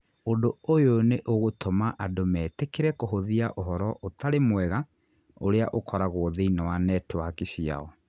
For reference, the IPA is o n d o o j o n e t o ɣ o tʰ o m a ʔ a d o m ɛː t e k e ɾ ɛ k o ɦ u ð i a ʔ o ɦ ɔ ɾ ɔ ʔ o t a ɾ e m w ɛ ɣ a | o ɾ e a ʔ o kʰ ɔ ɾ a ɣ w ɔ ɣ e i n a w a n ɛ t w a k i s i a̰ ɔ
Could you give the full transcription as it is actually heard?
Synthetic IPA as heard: o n d o o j o n e ʔ o ɣ o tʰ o m a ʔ a d o m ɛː t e k e ɾ ɛ k o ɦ o ð i a ʔ o ɦ ɔ ɾ ɔ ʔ o t a ɾ e m w ɛ ɣ a | o ɾ e a ʔ o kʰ ɔ ɾ a ɣ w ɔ ð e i n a w a n ɛ t w a k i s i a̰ ɔ